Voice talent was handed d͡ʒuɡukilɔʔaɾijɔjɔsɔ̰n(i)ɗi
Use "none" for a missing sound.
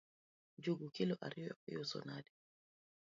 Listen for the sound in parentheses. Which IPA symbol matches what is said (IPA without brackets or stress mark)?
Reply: a